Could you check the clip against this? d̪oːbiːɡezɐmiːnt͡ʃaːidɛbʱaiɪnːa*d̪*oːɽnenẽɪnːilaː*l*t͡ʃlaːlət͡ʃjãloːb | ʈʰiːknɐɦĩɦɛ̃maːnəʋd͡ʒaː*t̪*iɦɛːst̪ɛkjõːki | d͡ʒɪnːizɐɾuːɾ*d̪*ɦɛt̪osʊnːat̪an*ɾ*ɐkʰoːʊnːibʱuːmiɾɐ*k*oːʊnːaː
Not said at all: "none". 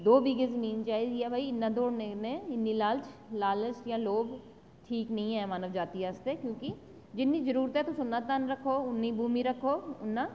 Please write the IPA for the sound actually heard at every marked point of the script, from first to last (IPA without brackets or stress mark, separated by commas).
d̪, l, t̪, t̪, ɾ, kʰ